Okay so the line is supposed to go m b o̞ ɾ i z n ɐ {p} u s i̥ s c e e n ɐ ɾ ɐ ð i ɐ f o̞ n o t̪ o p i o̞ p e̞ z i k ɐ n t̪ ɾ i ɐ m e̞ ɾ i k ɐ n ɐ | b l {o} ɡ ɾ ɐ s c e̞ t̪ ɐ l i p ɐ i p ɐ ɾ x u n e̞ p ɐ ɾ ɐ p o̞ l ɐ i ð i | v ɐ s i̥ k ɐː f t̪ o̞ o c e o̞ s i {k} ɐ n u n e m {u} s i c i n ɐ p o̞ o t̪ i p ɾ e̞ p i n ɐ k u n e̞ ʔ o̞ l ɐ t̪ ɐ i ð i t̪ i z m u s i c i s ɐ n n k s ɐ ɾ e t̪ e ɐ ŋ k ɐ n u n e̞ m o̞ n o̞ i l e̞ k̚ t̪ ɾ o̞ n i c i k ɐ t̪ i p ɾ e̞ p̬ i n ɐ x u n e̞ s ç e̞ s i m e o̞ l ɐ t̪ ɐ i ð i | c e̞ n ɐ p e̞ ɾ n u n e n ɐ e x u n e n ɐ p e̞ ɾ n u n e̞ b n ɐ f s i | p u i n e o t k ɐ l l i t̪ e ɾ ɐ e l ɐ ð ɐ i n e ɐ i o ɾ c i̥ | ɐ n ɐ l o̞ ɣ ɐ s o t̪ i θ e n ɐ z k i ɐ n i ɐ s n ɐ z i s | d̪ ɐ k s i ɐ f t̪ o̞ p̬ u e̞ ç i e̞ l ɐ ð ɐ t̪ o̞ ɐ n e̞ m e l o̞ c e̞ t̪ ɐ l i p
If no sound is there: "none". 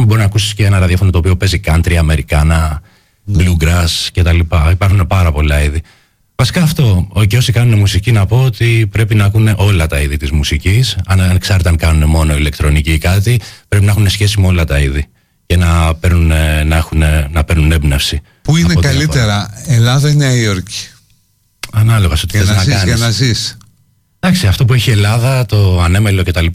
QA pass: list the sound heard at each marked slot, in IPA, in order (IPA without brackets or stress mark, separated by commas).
k, u, k, u